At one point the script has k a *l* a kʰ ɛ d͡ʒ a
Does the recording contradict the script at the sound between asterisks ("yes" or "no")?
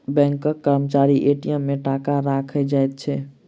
yes